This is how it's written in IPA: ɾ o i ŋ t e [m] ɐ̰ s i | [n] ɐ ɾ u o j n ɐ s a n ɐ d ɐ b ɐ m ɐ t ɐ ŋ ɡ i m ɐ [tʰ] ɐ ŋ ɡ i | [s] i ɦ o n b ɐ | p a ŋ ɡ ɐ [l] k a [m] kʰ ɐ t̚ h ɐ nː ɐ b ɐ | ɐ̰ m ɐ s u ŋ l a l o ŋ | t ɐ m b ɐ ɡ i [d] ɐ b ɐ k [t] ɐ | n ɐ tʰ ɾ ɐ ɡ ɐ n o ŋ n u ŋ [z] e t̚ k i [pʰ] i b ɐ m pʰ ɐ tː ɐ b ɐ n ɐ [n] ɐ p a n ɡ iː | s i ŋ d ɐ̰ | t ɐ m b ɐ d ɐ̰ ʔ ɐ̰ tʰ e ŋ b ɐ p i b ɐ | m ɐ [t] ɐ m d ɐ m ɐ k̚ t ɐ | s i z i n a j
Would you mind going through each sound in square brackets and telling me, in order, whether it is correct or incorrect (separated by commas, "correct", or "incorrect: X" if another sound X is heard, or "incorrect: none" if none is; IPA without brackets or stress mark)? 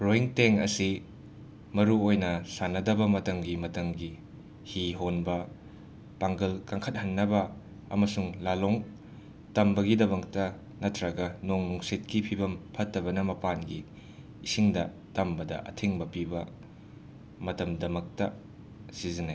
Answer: incorrect: ŋ, incorrect: m, incorrect: t, incorrect: h, correct, incorrect: ŋ, correct, correct, incorrect: s, correct, incorrect: m, correct